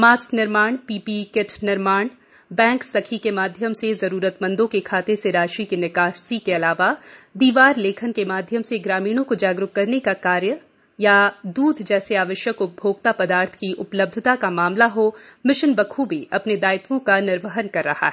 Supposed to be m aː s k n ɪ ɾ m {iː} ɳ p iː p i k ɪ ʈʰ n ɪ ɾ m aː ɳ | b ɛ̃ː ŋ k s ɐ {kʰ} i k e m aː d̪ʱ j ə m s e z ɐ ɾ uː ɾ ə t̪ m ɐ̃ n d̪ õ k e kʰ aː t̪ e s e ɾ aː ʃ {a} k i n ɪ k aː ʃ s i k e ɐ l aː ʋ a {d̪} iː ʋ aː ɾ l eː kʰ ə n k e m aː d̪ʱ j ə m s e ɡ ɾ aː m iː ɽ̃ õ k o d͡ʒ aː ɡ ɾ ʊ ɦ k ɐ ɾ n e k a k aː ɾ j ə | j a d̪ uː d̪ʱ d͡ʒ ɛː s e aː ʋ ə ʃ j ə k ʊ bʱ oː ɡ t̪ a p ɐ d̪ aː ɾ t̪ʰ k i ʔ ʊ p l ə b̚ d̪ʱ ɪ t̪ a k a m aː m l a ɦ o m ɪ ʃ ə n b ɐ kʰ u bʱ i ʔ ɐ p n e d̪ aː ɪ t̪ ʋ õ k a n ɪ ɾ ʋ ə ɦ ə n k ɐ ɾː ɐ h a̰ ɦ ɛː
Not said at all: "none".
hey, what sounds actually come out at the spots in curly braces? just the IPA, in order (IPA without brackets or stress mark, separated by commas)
aː, kʰ, i, d̪